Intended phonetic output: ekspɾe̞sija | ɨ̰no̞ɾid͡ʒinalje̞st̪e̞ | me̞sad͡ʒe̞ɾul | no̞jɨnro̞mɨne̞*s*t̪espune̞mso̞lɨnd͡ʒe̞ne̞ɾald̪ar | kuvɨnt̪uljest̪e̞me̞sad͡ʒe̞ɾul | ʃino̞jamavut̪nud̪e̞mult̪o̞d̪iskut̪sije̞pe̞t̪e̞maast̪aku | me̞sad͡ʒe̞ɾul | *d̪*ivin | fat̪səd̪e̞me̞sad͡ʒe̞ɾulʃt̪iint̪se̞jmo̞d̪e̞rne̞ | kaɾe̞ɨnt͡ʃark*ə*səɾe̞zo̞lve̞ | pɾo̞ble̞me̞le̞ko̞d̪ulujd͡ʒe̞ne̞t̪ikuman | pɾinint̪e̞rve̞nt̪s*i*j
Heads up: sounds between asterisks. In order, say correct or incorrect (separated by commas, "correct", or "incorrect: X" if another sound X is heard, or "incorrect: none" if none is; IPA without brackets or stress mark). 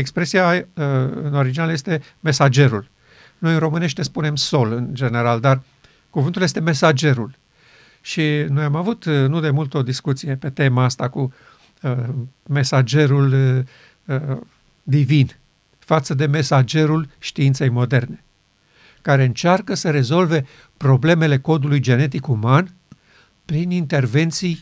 incorrect: ʃ, correct, correct, correct